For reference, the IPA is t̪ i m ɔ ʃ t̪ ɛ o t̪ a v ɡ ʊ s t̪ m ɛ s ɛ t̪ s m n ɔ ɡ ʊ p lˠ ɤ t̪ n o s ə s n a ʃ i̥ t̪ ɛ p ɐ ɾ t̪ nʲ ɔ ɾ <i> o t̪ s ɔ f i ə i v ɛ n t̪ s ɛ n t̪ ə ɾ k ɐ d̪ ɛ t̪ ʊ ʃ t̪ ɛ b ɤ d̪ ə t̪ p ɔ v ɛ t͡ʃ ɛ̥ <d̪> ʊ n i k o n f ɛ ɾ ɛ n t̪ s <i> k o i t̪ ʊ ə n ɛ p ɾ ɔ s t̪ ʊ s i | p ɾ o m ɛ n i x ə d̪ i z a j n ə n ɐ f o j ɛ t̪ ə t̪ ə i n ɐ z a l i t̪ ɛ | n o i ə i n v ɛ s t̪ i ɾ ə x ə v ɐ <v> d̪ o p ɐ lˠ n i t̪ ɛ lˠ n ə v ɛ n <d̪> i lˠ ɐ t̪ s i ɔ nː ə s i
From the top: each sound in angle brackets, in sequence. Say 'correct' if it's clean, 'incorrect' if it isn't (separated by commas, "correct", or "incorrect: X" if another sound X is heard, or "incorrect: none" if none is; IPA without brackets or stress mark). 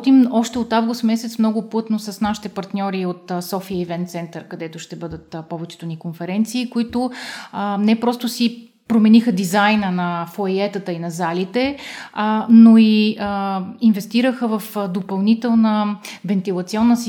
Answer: correct, incorrect: t̪, incorrect: iː, incorrect: f, incorrect: t̪